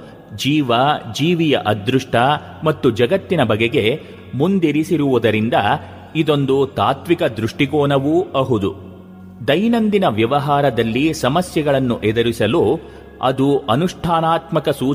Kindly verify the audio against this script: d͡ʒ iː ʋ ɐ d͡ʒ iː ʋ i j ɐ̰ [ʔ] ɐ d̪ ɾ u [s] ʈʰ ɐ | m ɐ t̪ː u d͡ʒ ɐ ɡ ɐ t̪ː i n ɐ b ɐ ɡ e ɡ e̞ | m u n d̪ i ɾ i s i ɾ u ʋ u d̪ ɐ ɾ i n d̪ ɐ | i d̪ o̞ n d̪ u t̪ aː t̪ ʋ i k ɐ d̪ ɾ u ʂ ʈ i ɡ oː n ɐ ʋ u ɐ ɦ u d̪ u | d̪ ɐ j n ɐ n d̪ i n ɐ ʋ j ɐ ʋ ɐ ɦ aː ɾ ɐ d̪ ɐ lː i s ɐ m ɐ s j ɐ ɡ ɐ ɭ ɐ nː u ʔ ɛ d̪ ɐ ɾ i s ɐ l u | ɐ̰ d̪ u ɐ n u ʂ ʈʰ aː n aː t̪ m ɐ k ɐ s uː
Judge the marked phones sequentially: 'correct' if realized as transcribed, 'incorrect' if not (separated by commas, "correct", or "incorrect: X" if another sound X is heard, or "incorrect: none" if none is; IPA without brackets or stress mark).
correct, incorrect: ʂ